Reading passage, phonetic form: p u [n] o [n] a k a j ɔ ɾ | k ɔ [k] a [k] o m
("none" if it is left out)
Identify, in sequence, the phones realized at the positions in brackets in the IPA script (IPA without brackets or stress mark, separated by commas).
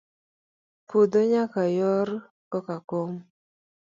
d, ɲ, k, k